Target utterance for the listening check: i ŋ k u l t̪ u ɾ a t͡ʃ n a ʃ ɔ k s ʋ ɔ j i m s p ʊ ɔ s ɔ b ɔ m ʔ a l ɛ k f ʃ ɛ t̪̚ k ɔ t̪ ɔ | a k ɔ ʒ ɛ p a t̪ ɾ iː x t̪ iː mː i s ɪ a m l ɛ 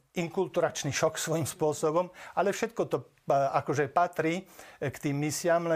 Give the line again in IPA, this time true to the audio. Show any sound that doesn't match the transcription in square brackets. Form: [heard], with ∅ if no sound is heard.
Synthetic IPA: i ŋ k u l t̪ u ɾ a t͡ʃ n [i] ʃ ɔ k s ʋ ɔ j i m s p ʊ ɔ s ɔ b ɔ m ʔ a l ɛ [∅] f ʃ ɛ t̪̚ k ɔ t̪ ɔ | a k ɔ ʒ ɛ p a t̪ ɾ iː [k] t̪ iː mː i s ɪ a m l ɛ